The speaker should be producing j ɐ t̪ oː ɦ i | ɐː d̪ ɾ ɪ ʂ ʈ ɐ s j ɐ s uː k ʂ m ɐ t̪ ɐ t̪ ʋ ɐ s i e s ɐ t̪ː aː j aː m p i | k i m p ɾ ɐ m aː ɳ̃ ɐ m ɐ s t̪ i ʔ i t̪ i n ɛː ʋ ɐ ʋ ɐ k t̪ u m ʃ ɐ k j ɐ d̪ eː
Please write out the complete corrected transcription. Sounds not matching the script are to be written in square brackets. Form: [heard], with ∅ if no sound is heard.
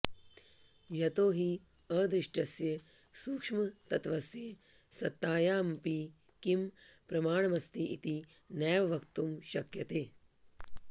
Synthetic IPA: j ɐ t̪ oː ɦ i | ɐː d̪ ɾ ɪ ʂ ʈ ɐ s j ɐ s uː k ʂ m ɐ t̪ ɐ t̪ ʋ ɐ s [j] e s ɐ t̪ː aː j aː m p i | k i m p ɾ ɐ m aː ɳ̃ ɐ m ɐ s t̪ i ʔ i t̪ i n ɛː ʋ ɐ ʋ ɐ k t̪ u m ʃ ɐ k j ɐ [t̪] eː